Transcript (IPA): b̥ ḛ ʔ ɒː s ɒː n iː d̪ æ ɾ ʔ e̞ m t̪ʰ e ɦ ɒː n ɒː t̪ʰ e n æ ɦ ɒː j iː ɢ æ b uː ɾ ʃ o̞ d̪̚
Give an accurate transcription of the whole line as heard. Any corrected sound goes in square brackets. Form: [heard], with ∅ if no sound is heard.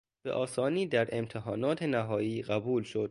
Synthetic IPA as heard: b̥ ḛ ʔ ɒː s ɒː n iː d̪ æ ɾ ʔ e̞ m t̪ʰ e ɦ ɒː n ɒː t̪ʰ e n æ ɦ ɒː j iː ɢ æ b uː [l] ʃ o̞ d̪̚